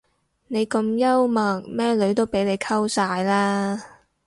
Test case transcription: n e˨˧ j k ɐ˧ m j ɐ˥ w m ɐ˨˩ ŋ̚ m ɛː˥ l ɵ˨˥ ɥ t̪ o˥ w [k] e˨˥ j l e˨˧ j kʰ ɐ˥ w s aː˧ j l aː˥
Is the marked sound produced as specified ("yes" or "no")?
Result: no